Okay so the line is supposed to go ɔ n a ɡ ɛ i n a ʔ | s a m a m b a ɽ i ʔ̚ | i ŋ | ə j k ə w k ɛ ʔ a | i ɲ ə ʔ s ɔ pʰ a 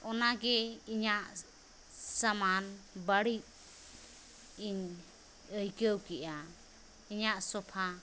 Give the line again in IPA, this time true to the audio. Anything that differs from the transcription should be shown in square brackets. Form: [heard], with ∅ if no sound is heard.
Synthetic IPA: ɔ n a ɡ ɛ i [ɲ] a ʔ | s a m a [n] b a ɽ i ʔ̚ | i [ɲ] | ə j k ə w k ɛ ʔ a | i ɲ [a] ʔ s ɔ pʰ a